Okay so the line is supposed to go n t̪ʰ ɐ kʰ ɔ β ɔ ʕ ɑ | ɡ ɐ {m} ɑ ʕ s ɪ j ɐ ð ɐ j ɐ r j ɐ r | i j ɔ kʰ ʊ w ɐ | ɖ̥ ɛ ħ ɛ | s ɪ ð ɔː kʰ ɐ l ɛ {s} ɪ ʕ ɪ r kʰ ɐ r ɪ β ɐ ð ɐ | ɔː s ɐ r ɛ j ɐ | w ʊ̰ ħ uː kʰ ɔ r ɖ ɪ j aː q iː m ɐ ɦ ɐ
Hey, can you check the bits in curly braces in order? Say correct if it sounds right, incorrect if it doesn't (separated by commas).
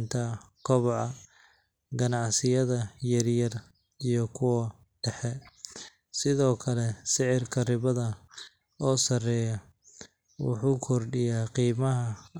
incorrect, correct